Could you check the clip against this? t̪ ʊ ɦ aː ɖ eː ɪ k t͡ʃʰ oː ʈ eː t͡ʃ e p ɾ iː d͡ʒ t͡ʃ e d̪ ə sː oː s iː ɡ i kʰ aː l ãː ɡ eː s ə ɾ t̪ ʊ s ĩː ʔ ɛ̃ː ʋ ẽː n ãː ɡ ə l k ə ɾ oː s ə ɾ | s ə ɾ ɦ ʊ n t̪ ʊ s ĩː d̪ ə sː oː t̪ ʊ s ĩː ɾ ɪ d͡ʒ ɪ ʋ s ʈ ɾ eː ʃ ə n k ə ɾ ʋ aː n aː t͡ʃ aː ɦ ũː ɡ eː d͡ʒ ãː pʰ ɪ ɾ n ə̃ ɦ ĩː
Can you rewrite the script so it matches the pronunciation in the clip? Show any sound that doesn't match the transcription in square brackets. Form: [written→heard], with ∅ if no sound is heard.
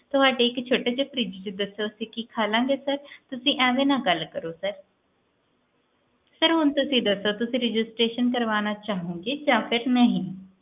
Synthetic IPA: t̪ ʊ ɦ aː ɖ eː ɪ k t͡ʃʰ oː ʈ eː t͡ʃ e p ɾ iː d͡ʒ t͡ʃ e d̪ ə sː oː s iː [ɡ→k] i kʰ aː l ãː ɡ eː s ə ɾ t̪ ʊ s ĩː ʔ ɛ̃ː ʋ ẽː n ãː ɡ ə l k ə ɾ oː s ə ɾ | s ə ɾ ɦ ʊ n t̪ ʊ s ĩː d̪ ə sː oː t̪ ʊ s ĩː ɾ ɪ d͡ʒ ɪ [ʋ→∅] s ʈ ɾ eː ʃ ə n k ə ɾ ʋ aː n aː t͡ʃ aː ɦ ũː ɡ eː d͡ʒ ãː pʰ ɪ ɾ n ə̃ ɦ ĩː